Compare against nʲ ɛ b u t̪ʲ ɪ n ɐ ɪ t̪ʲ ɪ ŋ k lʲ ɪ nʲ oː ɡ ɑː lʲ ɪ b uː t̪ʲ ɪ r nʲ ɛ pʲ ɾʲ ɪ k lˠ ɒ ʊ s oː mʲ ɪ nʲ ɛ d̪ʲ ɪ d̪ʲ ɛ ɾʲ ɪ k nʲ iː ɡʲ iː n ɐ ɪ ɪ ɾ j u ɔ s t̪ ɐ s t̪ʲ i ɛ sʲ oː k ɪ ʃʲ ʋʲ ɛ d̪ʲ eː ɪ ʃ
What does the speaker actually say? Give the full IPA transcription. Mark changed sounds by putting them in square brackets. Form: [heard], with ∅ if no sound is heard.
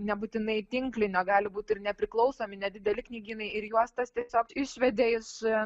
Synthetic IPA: nʲ ɛ b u t̪ʲ ɪ n ɐ ɪ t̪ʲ ɪ ŋ k lʲ ɪ nʲ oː ɡ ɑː lʲ ɪ b uː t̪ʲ ɪ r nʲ ɛ pʲ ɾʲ ɪ k lˠ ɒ ʊ s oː mʲ ɪ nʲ ɛ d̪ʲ ɪ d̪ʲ ɛ [lʲ] ɪ k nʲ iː ɡʲ iː n ɐ ɪ ɪ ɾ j u ɔ s t̪ ɐ s t̪ʲ i ɛ sʲ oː k ɪ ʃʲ ʋʲ ɛ d̪ʲ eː ɪ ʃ